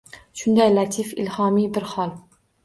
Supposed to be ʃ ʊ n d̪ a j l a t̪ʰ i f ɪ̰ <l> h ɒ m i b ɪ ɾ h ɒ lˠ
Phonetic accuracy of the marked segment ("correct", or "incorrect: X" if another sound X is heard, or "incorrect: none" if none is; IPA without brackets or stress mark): correct